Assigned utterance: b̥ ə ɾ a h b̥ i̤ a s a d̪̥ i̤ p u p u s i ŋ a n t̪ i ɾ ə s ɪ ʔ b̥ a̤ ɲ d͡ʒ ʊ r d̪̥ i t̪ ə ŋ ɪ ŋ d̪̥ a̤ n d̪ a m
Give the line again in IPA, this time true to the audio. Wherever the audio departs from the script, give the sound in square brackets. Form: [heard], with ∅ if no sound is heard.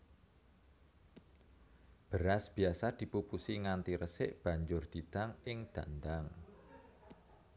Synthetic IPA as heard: b̥ ə ɾ a [s] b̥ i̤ a s a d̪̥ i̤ p u p u s i ŋ a n t̪ i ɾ ə s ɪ ʔ b̥ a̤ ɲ d͡ʒ ʊ r d̪̥ i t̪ [a] ŋ ɪ ŋ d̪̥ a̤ n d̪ a [ŋ]